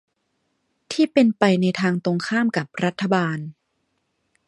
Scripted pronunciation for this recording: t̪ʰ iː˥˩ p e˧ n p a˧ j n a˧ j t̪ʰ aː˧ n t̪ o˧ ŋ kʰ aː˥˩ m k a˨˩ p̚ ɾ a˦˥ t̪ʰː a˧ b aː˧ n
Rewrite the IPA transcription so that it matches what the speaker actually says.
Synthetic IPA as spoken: t̪ʰ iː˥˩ p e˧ n p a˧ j n a˧ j t̪ʰ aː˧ ŋ t̪ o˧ ŋ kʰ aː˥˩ m k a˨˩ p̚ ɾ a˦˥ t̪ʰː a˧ b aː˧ n